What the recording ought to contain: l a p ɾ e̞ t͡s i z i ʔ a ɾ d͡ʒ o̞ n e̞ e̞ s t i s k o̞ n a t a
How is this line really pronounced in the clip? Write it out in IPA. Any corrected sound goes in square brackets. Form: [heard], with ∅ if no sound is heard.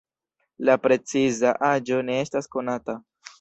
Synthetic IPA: l a p ɾ e̞ t͡s i z [a] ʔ a [∅] d͡ʒ o̞ n e̞ e̞ s t [a] s k o̞ n a t a